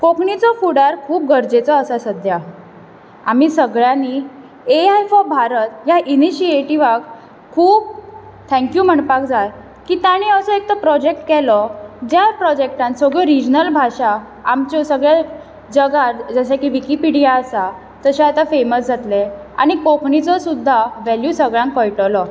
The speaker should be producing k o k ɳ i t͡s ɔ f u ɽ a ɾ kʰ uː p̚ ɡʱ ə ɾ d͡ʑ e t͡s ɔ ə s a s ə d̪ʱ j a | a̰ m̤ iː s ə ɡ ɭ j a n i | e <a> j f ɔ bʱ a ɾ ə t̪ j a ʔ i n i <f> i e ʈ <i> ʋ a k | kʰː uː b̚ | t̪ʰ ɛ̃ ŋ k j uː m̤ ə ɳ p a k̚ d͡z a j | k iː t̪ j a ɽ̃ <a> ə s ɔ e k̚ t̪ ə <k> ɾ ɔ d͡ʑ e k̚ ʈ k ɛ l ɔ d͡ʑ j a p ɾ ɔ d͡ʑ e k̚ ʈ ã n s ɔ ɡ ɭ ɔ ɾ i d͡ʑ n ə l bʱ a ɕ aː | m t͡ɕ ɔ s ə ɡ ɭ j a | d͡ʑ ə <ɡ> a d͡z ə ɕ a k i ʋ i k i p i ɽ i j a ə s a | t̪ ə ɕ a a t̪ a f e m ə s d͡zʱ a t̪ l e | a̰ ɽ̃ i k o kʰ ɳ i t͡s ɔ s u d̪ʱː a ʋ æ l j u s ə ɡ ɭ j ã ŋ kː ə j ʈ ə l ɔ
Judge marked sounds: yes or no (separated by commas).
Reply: yes, no, yes, no, no, yes